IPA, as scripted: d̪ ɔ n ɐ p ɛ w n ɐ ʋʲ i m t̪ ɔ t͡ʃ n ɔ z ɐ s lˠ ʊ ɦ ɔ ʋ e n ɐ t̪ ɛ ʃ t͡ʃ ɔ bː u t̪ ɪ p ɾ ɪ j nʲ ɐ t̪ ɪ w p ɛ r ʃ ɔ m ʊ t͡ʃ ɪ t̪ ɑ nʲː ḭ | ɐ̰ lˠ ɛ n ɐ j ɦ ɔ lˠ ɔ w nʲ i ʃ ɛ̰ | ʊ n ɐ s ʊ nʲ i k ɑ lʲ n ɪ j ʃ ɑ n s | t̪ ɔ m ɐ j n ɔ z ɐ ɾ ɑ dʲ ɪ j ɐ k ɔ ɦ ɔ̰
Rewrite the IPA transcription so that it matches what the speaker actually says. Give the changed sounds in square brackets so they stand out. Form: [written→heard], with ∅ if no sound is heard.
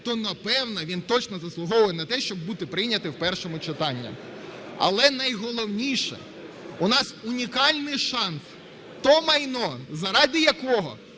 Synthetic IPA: [d̪→t̪] ɔ n ɐ p ɛ w n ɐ ʋʲ i [m→n] t̪ ɔ t͡ʃ n ɔ z ɐ s lˠ ʊ ɦ ɔ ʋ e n ɐ t̪ ɛ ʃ t͡ʃ ɔ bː u t̪ ɪ p ɾ ɪ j nʲ ɐ t̪ ɪ w p ɛ r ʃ ɔ m ʊ t͡ʃ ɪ t̪ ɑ nʲː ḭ | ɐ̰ lˠ ɛ n ɐ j ɦ ɔ lˠ ɔ w nʲ i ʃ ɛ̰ | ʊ n [ɐ→ɑ] s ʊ nʲ i k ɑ lʲ n ɪ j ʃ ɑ n s | t̪ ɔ m ɐ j n ɔ z ɐ ɾ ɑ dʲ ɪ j ɐ k ɔ ɦ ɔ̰